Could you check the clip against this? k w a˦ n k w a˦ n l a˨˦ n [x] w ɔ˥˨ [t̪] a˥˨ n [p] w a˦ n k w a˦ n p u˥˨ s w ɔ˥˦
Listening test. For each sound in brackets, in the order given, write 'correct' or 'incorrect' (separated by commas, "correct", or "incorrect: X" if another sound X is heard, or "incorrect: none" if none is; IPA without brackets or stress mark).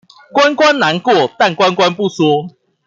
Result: incorrect: k, correct, incorrect: k